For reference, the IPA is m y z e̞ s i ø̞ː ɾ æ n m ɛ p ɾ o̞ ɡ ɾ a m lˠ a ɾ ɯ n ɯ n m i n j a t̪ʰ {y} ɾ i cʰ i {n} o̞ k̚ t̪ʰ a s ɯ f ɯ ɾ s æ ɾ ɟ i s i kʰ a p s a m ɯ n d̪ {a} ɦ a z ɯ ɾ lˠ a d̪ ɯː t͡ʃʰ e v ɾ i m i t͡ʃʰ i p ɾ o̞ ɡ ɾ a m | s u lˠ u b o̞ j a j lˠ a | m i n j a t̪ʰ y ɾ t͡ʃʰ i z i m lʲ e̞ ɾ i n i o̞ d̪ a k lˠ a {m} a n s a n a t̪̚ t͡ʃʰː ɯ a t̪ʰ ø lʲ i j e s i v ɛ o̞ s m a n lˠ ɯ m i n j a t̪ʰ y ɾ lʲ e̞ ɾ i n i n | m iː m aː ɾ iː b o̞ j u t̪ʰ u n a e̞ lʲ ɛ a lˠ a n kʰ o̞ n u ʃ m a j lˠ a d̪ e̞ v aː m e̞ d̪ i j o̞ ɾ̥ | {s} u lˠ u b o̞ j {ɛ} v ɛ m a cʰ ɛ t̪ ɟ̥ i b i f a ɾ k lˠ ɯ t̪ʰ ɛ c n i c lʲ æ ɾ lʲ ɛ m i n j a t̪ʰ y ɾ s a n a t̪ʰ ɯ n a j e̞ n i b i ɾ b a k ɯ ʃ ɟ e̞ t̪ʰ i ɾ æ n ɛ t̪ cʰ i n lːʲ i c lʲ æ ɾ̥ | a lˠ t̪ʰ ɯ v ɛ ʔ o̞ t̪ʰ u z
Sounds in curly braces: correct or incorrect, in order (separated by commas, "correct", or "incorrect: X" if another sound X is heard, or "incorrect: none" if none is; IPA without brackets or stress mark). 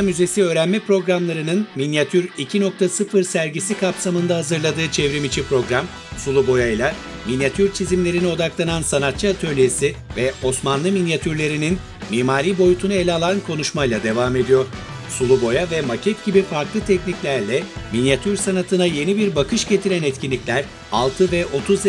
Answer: correct, correct, correct, incorrect: n, correct, incorrect: a